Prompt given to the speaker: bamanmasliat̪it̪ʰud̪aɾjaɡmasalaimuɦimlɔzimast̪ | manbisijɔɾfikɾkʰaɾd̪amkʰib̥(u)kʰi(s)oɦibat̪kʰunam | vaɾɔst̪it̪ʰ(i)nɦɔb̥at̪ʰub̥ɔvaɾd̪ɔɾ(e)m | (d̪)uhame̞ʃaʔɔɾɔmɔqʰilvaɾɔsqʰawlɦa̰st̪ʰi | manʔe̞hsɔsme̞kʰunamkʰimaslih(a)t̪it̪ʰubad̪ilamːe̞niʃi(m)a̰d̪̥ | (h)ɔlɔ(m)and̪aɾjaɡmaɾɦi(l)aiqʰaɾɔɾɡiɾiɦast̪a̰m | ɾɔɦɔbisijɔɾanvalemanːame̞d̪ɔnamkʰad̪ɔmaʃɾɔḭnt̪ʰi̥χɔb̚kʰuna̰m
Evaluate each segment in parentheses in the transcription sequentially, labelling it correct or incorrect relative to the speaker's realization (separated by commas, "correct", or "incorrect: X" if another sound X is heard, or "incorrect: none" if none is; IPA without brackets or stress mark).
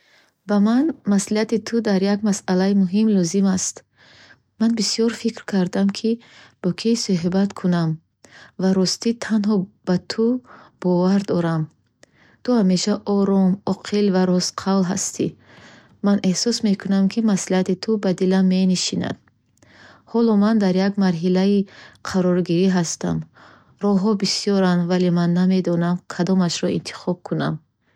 incorrect: ɔ, correct, incorrect: a, incorrect: a, incorrect: t̪, correct, incorrect: n, correct, correct, correct